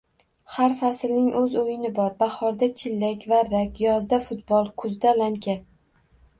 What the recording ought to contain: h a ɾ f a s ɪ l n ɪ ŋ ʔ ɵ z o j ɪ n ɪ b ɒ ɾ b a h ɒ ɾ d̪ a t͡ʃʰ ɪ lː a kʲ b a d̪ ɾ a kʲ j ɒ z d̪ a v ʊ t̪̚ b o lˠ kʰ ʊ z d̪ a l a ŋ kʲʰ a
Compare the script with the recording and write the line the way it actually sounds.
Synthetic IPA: h a ɾ f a s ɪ l n ɪ ŋ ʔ ɵ z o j ɪ n ɪ b ɒ ɾ b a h ɒ ɾ d̪ a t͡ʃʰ ɪ lː a kʲ v a ɾ a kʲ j ɒ z d̪ a f ʊ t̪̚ b ɒ lˠ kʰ ʊ z d̪ a l a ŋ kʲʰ a